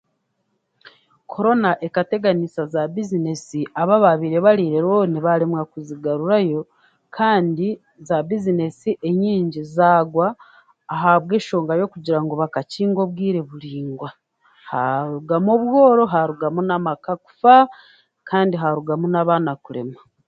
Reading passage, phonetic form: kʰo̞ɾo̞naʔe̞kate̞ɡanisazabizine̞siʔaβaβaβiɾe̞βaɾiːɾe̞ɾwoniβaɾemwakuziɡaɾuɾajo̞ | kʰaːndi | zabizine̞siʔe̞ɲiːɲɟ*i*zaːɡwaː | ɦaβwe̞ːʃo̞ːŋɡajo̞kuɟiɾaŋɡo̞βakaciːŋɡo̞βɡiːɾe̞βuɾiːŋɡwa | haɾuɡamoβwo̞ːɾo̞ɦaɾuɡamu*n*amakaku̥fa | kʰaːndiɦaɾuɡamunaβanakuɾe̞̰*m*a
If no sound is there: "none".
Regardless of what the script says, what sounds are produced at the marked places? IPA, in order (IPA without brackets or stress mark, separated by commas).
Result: i, n, m